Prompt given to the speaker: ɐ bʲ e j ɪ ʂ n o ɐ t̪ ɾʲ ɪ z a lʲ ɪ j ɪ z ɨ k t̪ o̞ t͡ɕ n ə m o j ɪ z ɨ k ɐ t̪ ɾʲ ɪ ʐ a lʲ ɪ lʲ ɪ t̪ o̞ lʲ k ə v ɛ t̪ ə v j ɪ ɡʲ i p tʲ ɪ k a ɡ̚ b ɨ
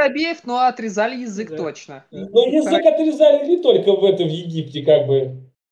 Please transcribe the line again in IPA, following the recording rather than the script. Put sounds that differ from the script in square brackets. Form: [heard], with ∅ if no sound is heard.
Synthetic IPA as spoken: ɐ bʲ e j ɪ [f] n o ɐ t̪ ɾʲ ɪ z a lʲ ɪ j ɪ z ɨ k t̪ o̞ t͡ɕ n ə [n] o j ɪ z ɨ k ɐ t̪ ɾʲ ɪ [z] a lʲ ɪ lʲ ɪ t̪ o̞ lʲ k ə v ɛ t̪ ə v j ɪ ɡʲ i p tʲ ɪ k a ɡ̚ b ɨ